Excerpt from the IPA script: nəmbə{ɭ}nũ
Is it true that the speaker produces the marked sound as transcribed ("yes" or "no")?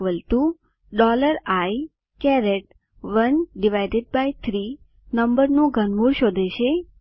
no